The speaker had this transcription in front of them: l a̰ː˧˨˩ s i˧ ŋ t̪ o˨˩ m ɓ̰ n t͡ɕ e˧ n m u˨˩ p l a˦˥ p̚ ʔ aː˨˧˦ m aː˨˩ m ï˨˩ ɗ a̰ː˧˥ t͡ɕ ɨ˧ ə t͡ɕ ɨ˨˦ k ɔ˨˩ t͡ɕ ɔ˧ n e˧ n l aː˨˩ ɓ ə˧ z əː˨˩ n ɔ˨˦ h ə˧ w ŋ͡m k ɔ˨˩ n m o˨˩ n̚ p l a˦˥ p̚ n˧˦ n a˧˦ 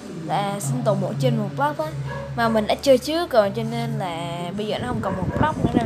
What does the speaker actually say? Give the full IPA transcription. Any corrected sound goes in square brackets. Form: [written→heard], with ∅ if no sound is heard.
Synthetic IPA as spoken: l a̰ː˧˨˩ s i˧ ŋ t̪ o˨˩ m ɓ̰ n t͡ɕ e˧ n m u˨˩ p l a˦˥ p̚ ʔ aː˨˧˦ m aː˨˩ m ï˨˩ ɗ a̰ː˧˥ t͡ɕ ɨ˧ ə t͡ɕ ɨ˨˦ k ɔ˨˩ t͡ɕ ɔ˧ n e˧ n l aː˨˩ ɓ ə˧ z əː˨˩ n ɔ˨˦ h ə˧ w ŋ͡m k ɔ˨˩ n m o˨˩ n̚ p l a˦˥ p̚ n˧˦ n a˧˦

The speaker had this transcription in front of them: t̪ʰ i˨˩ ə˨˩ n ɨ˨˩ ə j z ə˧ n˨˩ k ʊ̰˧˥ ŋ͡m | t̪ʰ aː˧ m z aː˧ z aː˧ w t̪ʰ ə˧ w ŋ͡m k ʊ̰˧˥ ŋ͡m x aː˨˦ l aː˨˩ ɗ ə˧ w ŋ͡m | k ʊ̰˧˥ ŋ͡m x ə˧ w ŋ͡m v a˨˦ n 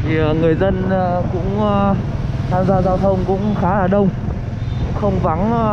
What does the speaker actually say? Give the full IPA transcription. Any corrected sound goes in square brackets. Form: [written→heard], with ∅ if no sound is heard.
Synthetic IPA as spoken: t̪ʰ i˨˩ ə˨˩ [n→ŋ] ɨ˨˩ ə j z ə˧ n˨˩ k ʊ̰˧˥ ŋ͡m | t̪ʰ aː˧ m z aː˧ z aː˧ w t̪ʰ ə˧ w ŋ͡m k ʊ̰˧˥ ŋ͡m x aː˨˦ l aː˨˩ ɗ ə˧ w ŋ͡m | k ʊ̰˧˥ ŋ͡m x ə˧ w ŋ͡m v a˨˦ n

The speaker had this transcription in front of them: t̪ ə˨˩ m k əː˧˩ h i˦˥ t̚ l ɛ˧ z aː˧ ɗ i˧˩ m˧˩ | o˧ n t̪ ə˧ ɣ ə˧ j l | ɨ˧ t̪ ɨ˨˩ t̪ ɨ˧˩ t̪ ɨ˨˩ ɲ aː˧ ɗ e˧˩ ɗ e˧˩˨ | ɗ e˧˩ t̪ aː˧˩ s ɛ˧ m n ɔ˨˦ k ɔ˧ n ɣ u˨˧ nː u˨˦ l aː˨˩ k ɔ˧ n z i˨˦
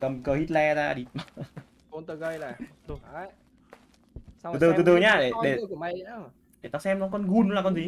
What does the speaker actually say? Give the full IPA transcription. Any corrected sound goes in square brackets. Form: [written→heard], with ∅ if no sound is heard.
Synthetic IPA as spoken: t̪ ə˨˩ m k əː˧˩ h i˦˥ t̚ l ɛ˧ z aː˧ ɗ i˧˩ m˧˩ | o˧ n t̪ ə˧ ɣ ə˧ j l | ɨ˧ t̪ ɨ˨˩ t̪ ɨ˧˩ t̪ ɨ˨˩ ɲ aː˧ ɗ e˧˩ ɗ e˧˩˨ | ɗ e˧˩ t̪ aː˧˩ s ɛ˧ m n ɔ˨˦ k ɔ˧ n ɣ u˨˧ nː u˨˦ l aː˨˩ k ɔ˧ n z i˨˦

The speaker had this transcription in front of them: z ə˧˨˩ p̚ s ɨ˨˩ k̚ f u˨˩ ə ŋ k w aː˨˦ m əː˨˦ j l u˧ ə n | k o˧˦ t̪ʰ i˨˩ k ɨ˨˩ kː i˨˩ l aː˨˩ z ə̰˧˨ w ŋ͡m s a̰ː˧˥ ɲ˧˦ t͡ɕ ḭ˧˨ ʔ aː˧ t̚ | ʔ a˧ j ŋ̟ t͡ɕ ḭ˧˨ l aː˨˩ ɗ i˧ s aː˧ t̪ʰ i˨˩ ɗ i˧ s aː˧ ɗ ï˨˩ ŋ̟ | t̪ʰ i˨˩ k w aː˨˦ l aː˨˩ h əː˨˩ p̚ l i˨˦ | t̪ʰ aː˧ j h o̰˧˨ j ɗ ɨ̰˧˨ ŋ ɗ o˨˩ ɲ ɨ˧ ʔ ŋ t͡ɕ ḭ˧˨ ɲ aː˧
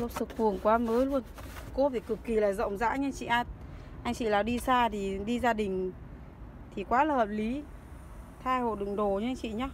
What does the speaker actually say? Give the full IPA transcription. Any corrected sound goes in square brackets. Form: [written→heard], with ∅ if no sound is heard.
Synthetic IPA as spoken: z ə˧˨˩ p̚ s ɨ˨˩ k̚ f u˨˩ ə ŋ k w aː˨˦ m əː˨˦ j l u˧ ə n | k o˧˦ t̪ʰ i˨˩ k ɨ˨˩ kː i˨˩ l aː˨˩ z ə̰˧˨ w ŋ͡m [s→z] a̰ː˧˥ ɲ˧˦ t͡ɕ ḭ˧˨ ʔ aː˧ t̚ | ʔ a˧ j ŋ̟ t͡ɕ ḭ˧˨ l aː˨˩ ɗ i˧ s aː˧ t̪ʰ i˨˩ ɗ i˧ [s→z] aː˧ ɗ ï˨˩ ŋ̟ | t̪ʰ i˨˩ k w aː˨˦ l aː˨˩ h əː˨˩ p̚ l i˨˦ | t̪ʰ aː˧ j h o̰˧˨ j ɗ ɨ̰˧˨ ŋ ɗ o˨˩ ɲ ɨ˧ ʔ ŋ t͡ɕ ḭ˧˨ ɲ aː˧

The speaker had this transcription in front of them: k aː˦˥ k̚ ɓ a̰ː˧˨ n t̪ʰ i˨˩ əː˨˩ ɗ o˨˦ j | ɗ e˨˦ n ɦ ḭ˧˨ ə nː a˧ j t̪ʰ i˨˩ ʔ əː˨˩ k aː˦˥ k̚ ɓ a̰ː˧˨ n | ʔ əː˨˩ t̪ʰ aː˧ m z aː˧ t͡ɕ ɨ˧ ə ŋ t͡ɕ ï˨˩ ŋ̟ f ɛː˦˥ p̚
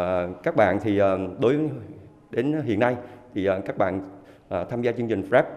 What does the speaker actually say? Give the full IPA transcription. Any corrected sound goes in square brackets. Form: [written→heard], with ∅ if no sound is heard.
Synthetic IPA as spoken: k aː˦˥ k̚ ɓ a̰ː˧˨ n t̪ʰ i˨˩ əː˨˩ ɗ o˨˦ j | ɗ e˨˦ n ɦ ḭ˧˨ ə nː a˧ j t̪ʰ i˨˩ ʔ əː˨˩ k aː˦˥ k̚ ɓ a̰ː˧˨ n | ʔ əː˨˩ t̪ʰ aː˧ m z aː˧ t͡ɕ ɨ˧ ə ŋ t͡ɕ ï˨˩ ŋ̟ f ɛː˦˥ p̚

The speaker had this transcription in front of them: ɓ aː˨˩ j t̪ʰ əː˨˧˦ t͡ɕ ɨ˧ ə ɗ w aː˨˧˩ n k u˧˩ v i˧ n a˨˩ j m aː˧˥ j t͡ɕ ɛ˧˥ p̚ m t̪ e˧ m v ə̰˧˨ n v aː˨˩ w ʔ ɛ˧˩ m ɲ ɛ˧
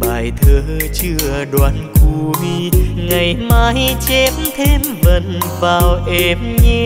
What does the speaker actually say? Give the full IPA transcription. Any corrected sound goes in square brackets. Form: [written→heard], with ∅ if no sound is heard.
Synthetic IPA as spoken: ɓ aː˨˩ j t̪ʰ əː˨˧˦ t͡ɕ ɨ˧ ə ɗ w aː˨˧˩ n k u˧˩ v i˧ [n→ŋ] a˨˩ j m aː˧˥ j t͡ɕ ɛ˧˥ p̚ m [t̪→t̪ʰ] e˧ m v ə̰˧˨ n v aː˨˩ w ʔ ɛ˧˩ m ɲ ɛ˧

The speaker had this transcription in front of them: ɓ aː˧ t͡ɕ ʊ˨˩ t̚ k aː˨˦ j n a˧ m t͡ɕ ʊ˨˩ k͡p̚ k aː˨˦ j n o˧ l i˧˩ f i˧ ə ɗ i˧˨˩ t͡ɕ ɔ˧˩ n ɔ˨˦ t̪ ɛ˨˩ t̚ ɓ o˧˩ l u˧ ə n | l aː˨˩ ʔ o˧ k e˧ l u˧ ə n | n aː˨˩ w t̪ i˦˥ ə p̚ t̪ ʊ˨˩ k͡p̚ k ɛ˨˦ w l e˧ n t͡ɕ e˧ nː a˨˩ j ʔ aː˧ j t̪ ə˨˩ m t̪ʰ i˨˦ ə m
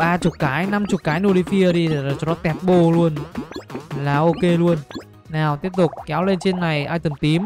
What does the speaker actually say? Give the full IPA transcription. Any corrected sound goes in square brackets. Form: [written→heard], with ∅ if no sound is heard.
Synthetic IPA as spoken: ɓ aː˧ t͡ɕ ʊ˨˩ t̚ k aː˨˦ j n a˧ m t͡ɕ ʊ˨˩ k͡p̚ k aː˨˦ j n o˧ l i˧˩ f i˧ ə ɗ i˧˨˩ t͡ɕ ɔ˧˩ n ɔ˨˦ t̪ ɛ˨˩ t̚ ɓ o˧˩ l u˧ ə n | l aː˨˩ ʔ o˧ k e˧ l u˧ ə n | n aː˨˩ w t̪ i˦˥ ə p̚ t̪ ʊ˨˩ k͡p̚ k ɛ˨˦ w l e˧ n t͡ɕ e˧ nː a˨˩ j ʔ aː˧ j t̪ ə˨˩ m [t̪ʰ→t̪] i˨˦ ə m

